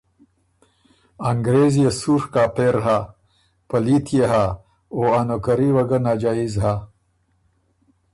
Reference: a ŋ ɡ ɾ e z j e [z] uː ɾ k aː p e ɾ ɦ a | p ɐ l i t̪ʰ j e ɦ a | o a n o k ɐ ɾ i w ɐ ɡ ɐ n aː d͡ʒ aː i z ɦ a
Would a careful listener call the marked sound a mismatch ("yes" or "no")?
yes